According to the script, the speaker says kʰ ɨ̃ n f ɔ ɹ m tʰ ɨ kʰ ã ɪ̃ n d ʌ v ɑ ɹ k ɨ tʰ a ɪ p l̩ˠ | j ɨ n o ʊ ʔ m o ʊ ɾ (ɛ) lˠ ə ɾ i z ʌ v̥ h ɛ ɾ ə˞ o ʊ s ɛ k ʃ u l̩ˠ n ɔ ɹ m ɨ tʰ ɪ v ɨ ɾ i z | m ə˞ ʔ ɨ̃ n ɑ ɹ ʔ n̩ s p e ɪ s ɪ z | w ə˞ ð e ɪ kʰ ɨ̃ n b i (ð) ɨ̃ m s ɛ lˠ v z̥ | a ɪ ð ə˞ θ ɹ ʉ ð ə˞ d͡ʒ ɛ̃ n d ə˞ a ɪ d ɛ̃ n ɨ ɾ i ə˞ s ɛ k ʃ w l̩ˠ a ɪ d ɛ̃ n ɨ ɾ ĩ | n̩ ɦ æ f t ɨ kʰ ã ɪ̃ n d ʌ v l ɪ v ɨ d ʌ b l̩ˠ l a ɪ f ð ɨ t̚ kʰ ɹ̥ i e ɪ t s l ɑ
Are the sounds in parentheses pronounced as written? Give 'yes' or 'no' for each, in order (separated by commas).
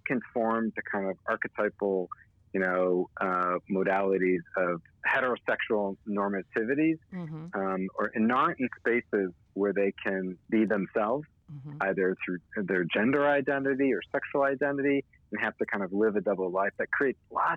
no, yes